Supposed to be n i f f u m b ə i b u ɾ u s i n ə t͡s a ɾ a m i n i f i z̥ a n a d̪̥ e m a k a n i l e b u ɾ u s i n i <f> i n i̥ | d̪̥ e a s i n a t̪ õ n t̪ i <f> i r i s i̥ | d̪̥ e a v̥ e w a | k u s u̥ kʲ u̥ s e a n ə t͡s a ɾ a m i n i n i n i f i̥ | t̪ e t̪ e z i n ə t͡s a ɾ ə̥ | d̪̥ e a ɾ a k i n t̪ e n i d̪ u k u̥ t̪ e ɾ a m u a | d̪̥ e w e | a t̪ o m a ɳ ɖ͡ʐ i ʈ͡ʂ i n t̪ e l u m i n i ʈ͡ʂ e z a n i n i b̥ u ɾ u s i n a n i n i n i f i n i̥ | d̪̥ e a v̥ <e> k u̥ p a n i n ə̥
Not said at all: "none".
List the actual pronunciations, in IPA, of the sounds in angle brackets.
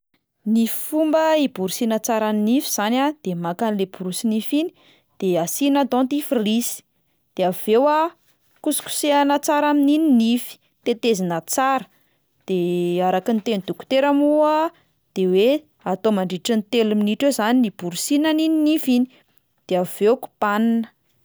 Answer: f, f, e

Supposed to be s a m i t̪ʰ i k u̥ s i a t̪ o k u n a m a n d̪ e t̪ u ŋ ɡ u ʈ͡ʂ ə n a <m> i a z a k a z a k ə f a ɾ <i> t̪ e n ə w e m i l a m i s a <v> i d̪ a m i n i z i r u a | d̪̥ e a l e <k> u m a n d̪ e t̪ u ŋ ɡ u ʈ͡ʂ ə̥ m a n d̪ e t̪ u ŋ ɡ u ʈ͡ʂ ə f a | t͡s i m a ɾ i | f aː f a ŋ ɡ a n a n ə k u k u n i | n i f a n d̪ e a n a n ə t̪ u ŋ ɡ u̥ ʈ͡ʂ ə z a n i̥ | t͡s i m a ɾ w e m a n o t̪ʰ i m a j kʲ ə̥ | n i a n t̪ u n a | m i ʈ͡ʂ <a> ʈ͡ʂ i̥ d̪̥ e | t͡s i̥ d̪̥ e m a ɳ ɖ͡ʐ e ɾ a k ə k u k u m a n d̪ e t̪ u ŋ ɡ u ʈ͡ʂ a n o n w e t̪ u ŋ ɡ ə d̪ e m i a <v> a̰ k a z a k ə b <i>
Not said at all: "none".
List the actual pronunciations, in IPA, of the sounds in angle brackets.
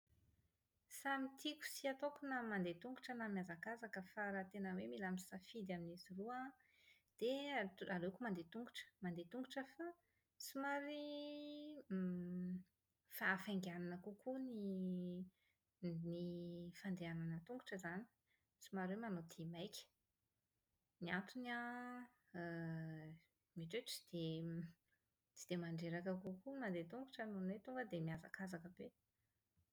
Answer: m, a, f, k, e, z, e

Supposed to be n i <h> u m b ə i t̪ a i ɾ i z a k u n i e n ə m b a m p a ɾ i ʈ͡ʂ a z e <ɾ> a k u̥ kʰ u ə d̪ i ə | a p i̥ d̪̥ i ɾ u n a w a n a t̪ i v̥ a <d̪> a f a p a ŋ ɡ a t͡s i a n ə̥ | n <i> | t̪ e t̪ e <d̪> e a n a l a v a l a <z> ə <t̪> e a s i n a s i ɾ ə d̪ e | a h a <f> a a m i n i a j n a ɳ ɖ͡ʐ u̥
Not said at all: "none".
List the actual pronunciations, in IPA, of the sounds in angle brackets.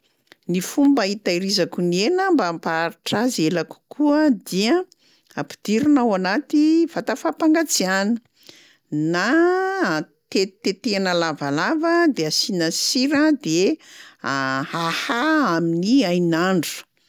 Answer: f, l, t̪, a, t̪, v, d̪, h

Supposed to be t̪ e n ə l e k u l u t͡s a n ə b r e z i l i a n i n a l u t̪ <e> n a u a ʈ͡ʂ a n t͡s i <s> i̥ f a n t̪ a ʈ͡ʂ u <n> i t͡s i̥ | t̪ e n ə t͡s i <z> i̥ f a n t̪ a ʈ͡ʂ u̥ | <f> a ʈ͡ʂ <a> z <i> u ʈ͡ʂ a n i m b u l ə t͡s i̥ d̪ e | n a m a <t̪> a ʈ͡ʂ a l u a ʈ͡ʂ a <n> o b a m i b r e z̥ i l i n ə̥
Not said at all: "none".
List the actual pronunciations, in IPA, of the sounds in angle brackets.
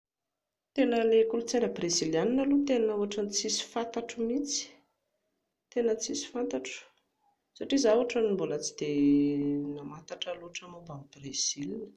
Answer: e, s, m, s, s, i, a, t̪, m

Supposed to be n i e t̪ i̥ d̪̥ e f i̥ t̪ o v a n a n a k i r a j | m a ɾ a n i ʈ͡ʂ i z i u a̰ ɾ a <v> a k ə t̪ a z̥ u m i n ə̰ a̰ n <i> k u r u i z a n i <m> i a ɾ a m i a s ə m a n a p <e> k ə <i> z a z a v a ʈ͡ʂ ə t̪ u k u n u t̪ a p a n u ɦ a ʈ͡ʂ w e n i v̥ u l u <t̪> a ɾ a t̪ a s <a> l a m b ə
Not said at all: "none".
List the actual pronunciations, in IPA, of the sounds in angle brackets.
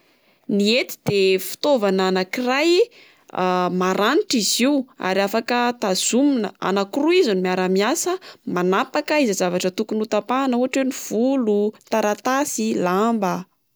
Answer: f, a, m, a, i, t̪, i

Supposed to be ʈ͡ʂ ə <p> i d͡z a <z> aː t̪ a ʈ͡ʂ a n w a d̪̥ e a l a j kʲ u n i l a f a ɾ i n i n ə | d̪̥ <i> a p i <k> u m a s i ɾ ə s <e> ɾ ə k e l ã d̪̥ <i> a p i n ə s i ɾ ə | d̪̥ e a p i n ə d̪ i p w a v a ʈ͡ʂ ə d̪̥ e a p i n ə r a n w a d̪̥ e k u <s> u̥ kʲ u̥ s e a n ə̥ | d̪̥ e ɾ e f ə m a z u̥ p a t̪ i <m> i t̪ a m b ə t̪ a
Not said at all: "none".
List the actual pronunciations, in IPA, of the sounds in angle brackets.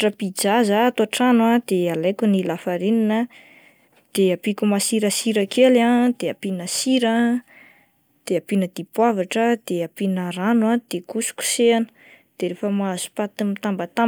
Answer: p, z, e, k, i, e, s, m

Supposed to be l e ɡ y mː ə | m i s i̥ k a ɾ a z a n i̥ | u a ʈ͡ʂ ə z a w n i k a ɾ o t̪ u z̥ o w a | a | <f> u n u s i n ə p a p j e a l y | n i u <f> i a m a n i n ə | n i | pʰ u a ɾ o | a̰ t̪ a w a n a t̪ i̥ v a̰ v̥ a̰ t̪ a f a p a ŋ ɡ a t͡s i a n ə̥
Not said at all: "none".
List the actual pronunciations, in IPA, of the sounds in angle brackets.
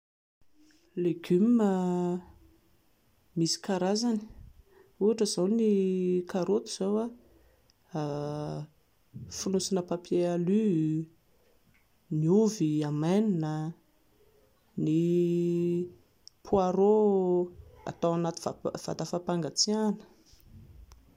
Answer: f, v

